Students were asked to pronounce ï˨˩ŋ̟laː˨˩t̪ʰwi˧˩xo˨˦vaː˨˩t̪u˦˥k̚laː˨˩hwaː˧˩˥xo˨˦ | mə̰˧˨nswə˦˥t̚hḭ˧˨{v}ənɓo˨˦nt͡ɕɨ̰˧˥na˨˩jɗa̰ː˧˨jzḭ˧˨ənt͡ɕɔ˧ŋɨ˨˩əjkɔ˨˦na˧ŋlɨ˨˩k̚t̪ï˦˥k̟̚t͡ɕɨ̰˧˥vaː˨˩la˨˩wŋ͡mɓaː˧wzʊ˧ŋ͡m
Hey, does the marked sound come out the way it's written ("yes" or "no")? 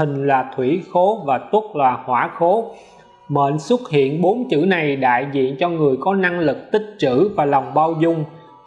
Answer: no